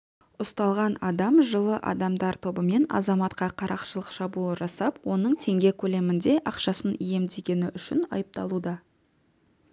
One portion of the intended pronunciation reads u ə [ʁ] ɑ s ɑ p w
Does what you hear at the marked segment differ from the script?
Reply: yes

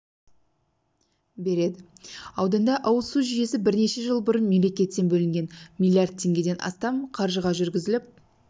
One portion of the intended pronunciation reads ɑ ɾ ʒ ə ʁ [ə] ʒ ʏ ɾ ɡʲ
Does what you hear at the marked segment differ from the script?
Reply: yes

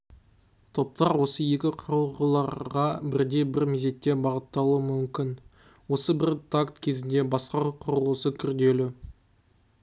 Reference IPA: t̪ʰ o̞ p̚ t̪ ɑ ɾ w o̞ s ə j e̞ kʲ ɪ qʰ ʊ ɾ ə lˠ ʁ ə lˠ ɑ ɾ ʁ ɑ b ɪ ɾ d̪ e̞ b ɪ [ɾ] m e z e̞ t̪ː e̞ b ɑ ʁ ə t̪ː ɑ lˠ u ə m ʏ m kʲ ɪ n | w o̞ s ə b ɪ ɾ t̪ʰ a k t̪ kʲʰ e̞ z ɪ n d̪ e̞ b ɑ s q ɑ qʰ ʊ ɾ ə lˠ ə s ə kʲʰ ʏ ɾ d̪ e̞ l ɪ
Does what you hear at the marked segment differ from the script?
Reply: no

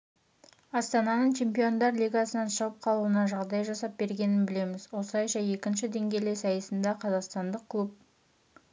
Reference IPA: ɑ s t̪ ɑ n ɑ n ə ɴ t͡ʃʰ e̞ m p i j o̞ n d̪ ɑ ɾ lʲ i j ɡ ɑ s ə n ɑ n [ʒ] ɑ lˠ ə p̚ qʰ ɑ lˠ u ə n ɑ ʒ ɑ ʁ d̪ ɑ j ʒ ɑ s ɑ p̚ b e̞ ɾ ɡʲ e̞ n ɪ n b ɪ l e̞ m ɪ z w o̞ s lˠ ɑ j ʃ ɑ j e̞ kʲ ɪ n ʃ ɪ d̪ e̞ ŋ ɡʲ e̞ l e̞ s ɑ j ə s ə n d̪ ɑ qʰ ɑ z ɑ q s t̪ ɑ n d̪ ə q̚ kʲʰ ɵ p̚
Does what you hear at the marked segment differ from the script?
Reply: yes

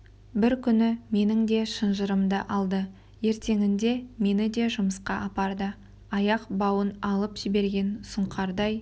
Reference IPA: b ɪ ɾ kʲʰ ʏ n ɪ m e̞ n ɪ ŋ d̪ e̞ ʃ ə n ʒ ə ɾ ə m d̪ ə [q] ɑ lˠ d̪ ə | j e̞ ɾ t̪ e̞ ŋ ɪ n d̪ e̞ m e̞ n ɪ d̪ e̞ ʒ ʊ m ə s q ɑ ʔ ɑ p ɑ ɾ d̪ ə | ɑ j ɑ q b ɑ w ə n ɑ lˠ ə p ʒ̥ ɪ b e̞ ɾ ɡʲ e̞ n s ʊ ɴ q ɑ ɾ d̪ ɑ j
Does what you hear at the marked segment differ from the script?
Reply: yes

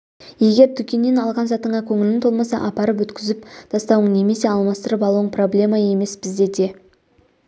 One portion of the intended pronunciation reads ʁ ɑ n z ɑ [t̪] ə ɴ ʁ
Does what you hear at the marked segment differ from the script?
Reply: no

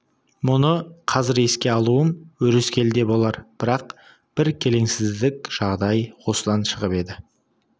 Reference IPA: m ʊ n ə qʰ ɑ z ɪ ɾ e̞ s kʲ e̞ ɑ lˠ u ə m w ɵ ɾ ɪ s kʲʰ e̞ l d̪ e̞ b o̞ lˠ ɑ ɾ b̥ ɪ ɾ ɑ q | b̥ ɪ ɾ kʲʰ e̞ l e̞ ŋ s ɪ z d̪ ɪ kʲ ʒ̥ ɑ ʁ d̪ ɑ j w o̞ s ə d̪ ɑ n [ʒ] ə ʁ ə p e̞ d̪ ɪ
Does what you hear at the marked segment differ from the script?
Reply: yes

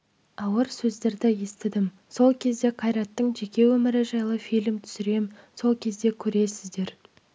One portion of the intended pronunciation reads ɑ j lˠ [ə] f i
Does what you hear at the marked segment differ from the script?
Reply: no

